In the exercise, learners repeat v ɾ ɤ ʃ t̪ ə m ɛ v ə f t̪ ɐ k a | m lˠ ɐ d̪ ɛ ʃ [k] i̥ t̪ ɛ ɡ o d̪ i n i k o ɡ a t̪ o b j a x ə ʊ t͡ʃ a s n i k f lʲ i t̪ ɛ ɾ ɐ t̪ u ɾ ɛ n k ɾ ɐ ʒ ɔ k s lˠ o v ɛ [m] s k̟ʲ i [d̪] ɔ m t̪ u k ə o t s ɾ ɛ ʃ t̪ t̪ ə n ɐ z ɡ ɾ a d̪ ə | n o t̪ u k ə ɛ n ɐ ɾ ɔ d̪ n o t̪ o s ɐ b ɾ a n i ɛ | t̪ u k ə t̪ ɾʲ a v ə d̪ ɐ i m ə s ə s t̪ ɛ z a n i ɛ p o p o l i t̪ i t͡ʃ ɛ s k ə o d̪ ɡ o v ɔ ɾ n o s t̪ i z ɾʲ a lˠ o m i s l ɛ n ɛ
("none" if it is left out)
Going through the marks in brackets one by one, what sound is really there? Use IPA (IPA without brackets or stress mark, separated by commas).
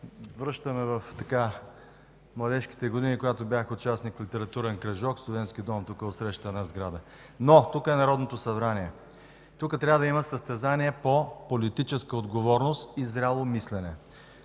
k, n, d̪